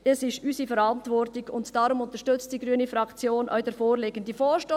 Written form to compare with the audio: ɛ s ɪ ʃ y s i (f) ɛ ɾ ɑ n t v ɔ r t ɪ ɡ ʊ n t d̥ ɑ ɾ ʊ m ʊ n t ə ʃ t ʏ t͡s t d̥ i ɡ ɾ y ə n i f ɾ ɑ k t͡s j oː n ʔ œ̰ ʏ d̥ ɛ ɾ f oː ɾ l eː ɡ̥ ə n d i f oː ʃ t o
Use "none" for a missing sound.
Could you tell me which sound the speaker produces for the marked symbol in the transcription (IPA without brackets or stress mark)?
f